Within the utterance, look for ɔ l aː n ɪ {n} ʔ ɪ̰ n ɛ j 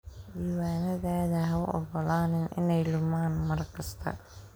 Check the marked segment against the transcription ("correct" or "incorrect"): correct